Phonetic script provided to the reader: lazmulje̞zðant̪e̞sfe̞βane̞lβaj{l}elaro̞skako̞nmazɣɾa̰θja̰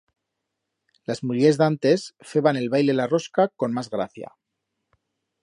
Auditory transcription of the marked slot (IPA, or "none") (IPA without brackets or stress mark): l